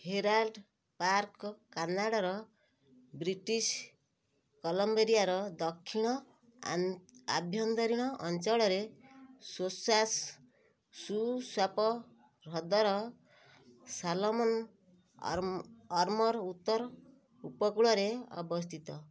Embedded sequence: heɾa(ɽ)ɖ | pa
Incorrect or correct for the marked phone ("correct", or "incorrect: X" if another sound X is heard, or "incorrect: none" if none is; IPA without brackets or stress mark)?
incorrect: l